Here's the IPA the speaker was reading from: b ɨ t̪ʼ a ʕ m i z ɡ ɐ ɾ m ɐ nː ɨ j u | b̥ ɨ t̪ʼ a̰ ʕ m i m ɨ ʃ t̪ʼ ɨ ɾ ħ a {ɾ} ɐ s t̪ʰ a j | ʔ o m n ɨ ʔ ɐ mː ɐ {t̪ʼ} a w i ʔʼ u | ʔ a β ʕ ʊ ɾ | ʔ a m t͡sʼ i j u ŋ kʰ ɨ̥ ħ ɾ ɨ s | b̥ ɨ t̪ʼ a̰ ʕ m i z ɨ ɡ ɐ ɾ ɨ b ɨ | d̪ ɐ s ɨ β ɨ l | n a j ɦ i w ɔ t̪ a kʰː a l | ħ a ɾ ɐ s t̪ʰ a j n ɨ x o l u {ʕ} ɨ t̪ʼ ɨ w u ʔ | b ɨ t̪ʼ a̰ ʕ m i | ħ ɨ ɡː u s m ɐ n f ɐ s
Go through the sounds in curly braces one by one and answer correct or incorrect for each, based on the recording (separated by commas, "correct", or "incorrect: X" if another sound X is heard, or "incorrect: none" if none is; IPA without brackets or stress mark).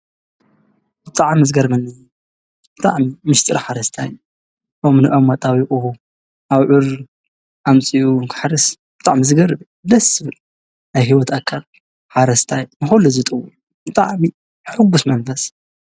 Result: correct, correct, incorrect: z